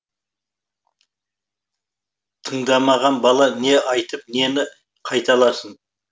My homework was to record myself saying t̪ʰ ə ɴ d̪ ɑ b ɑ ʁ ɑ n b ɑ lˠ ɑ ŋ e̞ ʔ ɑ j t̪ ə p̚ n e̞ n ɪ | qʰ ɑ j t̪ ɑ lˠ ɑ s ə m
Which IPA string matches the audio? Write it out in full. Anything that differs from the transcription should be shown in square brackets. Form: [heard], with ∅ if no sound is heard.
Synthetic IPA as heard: t̪ʰ ə ɴ d̪ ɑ [m] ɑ ʁ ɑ n b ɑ lˠ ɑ [n] e̞ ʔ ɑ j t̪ ə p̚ n e̞ n ɪ | qʰ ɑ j t̪ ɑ lˠ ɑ s ə [n]